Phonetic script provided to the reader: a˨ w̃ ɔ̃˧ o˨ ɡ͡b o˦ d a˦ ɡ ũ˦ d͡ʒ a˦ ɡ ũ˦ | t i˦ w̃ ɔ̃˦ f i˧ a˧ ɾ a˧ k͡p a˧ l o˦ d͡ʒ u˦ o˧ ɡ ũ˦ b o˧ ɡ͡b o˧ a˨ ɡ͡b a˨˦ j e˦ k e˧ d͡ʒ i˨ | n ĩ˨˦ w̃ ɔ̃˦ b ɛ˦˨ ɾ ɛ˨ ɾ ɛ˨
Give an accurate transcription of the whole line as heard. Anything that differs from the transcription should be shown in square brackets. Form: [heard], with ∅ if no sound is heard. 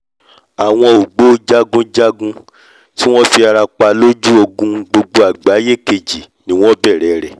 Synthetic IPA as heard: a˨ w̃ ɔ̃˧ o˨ ɡ͡b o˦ [d͡ʒ] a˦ ɡ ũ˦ d͡ʒ a˦ ɡ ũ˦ | t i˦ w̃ ɔ̃˦ f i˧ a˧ ɾ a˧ k͡p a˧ l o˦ d͡ʒ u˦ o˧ ɡ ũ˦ [ɡ͡b] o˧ ɡ͡b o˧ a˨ ɡ͡b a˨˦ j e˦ k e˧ d͡ʒ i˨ | n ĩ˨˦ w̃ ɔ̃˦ b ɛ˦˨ ɾ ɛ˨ ɾ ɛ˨